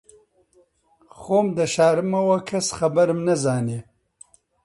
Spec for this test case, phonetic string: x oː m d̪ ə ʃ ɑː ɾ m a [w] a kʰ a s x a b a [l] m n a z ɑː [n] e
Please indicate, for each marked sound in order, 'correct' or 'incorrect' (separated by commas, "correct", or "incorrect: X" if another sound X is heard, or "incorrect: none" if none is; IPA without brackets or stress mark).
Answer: correct, incorrect: ɾ, correct